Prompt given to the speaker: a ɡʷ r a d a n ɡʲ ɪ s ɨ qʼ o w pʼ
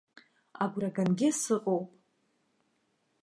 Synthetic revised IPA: a ɡʷ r a ɡ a n ɡʲ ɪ s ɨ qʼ o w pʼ